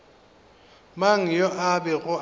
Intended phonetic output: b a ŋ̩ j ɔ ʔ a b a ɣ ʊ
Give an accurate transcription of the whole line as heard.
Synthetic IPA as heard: m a ŋ̩ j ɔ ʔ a b ɛ ɣ ʊ